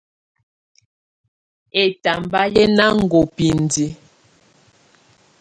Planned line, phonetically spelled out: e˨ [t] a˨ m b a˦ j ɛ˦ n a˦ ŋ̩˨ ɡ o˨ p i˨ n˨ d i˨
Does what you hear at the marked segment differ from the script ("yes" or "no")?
no